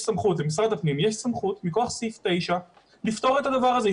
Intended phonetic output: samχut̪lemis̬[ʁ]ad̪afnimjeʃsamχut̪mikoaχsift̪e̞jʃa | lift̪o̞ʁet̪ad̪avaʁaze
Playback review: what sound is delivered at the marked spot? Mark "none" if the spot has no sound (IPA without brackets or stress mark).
ʁ